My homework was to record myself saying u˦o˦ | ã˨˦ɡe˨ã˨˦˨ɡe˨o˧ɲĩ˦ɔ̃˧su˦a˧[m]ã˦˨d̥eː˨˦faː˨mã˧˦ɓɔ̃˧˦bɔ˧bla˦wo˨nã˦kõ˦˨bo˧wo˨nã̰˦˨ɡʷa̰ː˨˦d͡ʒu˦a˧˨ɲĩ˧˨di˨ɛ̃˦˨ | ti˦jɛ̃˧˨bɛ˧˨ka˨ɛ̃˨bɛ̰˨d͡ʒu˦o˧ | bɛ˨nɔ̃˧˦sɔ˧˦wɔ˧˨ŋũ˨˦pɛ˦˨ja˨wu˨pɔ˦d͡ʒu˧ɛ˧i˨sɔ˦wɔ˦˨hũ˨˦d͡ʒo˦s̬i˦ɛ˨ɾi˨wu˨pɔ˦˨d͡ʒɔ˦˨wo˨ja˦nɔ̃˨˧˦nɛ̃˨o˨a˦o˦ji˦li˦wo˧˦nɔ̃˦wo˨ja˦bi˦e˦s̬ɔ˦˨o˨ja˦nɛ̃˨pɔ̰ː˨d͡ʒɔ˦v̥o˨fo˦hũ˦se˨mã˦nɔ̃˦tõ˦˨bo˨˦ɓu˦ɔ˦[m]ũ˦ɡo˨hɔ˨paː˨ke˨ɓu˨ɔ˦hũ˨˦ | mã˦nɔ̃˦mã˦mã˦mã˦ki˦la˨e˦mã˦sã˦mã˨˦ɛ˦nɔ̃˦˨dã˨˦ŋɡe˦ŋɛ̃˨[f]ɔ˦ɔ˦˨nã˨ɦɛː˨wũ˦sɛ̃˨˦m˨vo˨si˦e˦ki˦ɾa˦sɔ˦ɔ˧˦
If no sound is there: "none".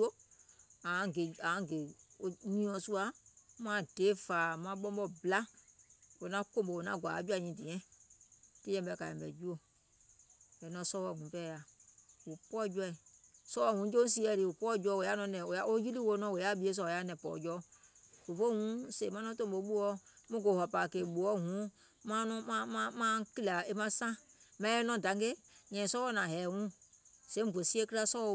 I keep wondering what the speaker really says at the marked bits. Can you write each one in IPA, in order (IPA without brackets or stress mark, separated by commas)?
m, m, s